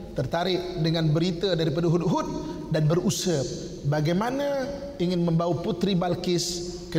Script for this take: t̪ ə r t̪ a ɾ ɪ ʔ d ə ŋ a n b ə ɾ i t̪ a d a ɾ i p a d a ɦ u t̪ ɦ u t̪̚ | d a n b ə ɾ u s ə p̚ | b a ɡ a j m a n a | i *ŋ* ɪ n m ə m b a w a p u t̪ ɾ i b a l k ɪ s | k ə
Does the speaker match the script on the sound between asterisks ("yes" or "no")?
yes